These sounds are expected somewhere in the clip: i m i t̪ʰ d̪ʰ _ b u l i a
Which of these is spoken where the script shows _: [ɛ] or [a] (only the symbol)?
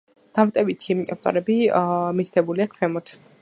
ɛ